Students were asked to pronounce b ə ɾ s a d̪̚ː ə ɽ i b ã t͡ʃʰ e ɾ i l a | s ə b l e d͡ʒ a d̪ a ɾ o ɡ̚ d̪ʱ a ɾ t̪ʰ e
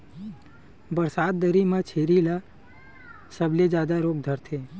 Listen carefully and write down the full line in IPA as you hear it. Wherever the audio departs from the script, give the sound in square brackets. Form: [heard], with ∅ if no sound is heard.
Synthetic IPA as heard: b ə ɾ s a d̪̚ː ə [ɾ] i [m] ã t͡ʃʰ e ɾ i l a | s ə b l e d͡ʒ a d̪ a ɾ o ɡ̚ d̪ʱ [ə] ɾ t̪ʰ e